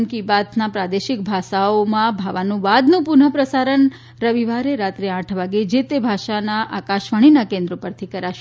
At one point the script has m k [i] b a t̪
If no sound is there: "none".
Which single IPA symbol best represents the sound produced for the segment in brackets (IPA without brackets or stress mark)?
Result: i